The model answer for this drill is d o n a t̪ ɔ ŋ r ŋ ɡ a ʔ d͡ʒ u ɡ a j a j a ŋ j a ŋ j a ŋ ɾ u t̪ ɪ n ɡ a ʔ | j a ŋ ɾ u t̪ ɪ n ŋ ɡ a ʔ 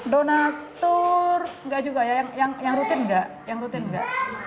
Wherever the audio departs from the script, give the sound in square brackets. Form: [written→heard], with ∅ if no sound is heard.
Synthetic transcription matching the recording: d o n a t̪ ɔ [ŋ→∅] r ŋ ɡ a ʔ d͡ʒ u ɡ a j a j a ŋ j a ŋ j a ŋ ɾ u t̪ ɪ n ɡ a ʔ | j a ŋ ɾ u t̪ ɪ n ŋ ɡ a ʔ